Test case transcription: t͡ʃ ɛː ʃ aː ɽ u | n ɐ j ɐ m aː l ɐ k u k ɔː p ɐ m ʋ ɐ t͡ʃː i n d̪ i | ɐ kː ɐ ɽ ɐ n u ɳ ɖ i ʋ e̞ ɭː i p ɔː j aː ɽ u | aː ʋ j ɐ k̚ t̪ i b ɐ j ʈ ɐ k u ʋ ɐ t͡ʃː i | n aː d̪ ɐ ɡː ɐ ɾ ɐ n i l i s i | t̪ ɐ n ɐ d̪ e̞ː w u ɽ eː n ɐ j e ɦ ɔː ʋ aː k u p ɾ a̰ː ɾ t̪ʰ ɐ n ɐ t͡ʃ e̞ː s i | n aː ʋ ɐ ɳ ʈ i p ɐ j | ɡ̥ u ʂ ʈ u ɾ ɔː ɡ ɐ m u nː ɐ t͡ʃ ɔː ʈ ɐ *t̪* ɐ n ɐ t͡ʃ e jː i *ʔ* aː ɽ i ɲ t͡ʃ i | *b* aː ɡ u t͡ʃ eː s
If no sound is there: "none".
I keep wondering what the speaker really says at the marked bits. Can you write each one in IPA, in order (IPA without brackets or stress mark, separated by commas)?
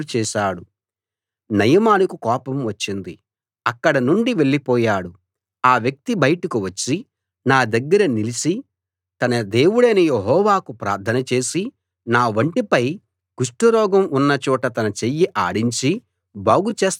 t̪, ʔ, b